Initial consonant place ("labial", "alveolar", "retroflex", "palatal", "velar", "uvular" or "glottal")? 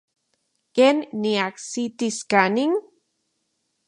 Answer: velar